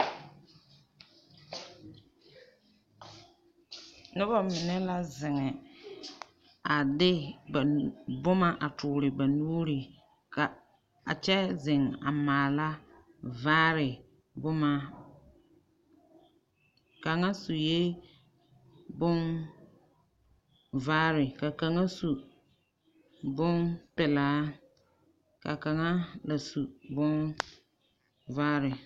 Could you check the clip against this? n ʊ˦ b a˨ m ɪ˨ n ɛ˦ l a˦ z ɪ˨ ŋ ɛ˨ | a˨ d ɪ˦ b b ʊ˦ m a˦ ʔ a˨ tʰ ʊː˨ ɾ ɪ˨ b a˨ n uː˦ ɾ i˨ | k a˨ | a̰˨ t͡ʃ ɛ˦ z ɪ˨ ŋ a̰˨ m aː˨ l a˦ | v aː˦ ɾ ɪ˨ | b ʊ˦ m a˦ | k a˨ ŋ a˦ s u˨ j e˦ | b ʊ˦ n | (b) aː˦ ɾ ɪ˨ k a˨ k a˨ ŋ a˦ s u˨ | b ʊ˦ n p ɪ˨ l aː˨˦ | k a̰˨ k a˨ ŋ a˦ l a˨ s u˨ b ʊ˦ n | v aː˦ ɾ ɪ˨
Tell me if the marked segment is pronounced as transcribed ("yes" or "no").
no